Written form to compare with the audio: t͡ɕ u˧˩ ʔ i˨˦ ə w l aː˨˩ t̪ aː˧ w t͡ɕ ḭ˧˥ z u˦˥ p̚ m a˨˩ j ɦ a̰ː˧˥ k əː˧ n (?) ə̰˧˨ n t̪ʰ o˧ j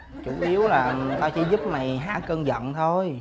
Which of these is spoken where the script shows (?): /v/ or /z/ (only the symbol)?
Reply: z